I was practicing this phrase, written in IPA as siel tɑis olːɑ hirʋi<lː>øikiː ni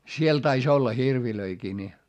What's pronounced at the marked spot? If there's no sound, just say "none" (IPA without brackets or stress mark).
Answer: l